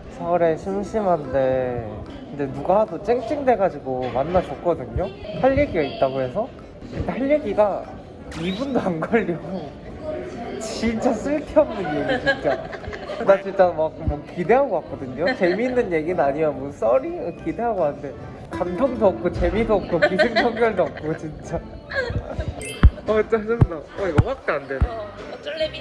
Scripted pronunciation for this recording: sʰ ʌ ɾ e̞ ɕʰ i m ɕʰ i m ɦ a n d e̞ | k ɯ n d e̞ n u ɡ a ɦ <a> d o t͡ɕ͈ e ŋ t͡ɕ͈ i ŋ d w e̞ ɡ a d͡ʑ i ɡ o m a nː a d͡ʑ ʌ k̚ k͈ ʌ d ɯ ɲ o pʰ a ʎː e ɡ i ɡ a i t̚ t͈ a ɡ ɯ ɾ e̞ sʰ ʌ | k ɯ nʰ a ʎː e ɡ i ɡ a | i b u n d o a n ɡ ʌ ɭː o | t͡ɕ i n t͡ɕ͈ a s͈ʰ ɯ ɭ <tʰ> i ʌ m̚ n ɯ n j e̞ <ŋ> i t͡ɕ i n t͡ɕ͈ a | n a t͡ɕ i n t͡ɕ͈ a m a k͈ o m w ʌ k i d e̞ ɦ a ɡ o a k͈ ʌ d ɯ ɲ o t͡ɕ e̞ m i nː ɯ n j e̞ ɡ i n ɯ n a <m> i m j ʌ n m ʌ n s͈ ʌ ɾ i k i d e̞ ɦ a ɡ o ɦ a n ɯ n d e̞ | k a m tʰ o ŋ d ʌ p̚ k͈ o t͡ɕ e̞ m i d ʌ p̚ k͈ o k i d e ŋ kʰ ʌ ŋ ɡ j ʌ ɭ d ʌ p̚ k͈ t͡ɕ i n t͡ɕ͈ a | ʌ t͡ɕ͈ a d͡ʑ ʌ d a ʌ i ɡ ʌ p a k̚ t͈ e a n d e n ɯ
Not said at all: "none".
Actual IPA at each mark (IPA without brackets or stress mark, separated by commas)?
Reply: a, tʰ, ɡ, ɲ